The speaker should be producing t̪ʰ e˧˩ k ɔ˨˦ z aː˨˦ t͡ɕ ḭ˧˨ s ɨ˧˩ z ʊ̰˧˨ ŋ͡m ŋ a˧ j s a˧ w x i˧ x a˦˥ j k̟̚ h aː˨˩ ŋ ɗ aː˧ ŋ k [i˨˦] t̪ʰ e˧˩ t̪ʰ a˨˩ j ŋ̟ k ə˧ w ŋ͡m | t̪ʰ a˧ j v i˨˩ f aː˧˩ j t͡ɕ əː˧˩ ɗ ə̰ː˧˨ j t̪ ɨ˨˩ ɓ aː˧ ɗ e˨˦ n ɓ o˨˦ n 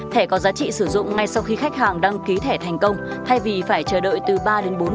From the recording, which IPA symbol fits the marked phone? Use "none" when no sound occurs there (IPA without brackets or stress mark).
i˨˦